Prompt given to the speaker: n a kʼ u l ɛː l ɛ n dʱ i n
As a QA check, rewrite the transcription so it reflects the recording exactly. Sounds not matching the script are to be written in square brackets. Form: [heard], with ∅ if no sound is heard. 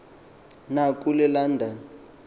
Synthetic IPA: n a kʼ u l [ɛ] l [a] n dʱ [a] n

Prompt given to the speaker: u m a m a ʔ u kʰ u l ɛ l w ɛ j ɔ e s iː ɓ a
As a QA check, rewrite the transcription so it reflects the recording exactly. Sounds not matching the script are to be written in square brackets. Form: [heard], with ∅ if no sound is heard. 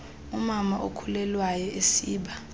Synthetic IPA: u m a m a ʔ [o] kʰ u l ɛ l w [a] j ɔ e s iː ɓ a

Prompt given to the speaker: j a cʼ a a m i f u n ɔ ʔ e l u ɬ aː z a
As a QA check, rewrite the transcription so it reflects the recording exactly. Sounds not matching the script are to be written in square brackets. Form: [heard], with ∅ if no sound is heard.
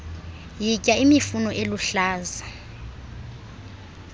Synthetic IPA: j [i] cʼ a [i] m i f u n ɔ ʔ e l u ɬ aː z a

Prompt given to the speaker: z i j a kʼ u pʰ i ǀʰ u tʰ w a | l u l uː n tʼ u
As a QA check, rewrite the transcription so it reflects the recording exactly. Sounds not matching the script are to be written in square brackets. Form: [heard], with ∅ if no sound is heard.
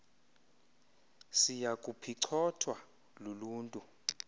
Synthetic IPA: [s] i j a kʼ u pʰ i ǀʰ [ɔ] tʰ w a | l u l uː n tʼ u

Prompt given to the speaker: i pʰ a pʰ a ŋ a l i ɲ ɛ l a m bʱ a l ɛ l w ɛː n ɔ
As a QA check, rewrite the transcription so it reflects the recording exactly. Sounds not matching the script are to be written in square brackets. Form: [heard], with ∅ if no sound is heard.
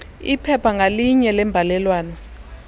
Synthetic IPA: i pʰ [ɛ] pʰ a ŋ a l i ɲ ɛ l [ɛ] m bʱ a l ɛ l w [aː] n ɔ

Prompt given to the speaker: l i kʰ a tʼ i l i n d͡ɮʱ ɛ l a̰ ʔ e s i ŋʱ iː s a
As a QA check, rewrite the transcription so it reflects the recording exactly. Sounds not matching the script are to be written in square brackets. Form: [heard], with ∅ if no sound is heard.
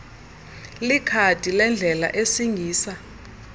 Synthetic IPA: l i kʰ a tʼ i l [ɛ] n d͡ɮʱ ɛ l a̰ ʔ e s i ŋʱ iː s a

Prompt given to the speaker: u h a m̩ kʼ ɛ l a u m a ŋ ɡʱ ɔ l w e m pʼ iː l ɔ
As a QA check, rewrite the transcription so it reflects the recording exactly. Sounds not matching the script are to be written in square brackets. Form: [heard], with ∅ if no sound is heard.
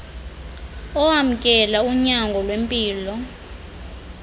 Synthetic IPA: [ɔ] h a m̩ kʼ ɛ l a u [ɲ] a ŋ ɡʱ ɔ l w e m pʼ iː l ɔ

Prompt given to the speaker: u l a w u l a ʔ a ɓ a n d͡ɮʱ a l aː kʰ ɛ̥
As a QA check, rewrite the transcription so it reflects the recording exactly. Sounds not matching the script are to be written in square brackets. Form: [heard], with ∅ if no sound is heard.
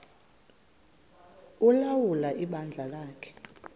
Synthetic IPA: u l a w u l a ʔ [i] ɓ a n d͡ɮʱ a l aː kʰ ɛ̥

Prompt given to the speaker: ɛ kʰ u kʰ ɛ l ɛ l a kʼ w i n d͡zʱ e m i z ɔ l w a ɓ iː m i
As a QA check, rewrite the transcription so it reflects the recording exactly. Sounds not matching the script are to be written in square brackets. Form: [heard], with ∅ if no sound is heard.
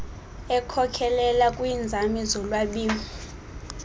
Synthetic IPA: ɛ kʰ [ɔ] kʰ ɛ l ɛ l a kʼ w i n d͡zʱ [a] m i z ɔ l w a ɓ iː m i

